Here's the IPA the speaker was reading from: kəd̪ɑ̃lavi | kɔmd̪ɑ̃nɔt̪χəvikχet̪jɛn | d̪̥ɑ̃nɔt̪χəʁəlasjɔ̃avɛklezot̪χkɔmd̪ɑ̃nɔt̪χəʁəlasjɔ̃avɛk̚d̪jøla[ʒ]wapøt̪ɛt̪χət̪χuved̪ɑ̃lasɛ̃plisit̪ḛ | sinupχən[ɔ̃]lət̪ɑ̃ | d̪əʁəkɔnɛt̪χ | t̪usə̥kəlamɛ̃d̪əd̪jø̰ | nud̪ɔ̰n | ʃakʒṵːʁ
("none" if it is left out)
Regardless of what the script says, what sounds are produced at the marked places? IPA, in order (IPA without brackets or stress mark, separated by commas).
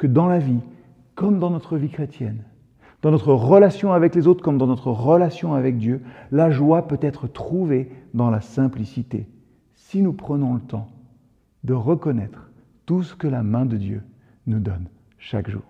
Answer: ʒ, ɔ̃